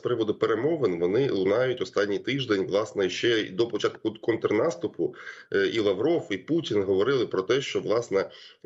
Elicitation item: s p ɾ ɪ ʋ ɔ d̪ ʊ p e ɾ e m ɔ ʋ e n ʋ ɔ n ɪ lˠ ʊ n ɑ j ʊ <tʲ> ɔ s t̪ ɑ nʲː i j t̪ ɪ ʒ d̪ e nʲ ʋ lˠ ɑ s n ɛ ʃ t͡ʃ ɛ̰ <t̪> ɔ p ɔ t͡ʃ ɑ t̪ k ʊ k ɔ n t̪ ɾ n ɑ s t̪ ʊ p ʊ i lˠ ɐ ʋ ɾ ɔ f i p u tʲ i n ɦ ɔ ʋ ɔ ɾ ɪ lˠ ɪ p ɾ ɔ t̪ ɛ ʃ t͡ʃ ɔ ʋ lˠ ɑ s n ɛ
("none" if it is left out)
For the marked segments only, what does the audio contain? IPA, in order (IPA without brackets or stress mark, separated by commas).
tʲ, d̪